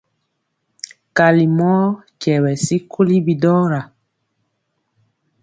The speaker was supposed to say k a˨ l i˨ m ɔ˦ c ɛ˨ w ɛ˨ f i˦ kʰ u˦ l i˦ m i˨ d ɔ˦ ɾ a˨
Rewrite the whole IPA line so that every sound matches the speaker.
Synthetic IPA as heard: k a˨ l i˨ m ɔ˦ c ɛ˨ w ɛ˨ s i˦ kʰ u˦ l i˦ b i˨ d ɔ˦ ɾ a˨